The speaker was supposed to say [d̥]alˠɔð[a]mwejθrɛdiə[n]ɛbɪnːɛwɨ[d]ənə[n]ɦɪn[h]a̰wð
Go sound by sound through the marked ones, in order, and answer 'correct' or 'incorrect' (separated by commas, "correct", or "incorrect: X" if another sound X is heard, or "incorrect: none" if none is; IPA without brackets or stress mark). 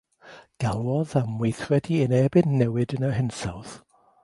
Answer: incorrect: ɡ̥, correct, correct, correct, incorrect: none, incorrect: s